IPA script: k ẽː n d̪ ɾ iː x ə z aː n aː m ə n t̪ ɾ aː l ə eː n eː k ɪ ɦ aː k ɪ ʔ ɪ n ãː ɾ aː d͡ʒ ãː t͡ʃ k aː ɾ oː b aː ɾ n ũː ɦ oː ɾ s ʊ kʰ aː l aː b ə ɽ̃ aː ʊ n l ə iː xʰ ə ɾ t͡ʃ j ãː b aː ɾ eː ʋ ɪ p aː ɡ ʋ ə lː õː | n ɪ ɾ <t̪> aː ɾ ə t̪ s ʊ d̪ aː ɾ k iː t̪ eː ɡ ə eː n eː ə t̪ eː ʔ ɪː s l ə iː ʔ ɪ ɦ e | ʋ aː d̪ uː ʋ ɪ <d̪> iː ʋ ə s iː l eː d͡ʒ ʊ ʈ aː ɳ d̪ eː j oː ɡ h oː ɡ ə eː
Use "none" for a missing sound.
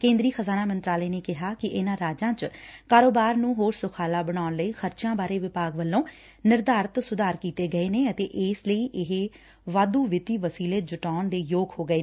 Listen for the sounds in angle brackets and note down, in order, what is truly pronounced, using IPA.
d̪, t̪

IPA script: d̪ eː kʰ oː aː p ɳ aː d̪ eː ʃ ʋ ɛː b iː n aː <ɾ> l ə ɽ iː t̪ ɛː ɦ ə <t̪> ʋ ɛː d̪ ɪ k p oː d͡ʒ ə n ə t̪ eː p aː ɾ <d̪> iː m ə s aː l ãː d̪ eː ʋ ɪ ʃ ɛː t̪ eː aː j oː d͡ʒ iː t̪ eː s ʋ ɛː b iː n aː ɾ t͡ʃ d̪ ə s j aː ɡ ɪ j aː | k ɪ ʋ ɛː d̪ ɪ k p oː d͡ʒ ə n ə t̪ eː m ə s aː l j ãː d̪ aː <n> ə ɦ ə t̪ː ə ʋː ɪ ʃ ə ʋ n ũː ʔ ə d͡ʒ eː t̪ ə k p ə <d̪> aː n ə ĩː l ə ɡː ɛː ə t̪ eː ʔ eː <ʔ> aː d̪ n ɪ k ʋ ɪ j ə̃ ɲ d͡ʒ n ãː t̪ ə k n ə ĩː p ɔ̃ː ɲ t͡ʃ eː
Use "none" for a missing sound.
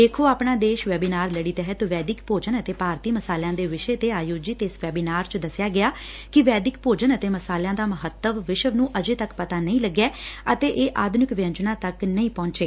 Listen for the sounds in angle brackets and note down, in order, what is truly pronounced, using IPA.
ɾ, t̪, t̪, m, t̪, ʔ

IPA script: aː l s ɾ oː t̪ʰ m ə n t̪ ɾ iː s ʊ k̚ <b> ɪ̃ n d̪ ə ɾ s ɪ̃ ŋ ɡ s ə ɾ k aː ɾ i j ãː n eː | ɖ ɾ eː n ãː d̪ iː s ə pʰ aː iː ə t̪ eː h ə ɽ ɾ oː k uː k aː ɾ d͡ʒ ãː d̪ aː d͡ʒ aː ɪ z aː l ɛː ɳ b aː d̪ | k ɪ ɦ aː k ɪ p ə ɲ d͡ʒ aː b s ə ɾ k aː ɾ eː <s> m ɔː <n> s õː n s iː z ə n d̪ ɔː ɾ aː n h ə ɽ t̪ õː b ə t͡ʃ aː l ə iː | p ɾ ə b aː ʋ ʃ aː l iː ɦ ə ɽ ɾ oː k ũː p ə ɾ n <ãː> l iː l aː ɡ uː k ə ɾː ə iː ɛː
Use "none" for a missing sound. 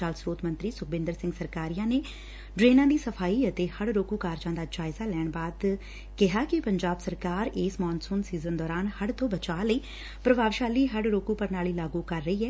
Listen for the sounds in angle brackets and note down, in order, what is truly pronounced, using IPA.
b, s, n, aː

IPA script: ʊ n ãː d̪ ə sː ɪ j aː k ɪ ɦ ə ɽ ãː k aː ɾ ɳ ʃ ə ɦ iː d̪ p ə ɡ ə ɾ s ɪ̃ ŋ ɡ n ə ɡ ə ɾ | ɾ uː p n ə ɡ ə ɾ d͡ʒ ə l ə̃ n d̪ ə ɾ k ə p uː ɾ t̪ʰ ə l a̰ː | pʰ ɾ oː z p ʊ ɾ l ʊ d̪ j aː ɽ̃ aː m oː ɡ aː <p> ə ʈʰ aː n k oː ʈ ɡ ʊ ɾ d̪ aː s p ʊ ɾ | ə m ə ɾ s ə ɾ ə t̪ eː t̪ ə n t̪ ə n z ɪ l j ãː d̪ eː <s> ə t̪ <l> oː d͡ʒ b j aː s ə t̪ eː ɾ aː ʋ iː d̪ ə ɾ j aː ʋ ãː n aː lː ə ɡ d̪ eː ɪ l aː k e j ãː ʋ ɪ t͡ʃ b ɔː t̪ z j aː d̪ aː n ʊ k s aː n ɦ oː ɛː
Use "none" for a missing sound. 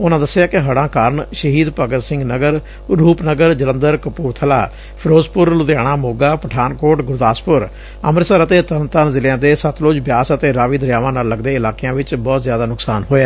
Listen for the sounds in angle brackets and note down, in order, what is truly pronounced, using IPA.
p, s, l

